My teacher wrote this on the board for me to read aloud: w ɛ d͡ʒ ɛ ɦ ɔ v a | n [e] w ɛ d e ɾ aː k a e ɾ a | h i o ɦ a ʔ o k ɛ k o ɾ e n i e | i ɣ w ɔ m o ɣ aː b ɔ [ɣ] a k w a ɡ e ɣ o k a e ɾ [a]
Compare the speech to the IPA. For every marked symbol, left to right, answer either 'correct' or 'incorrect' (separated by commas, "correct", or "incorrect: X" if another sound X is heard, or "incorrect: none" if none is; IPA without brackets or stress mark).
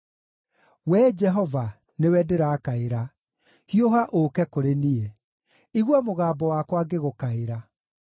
correct, incorrect: w, correct